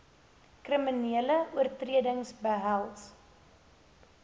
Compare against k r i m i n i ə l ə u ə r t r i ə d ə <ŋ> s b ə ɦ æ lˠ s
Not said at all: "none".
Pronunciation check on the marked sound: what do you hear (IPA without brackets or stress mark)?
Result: ŋ